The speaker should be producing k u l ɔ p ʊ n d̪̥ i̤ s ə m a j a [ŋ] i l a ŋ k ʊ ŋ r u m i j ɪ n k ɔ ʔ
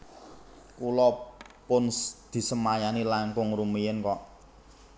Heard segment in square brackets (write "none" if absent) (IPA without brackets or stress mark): n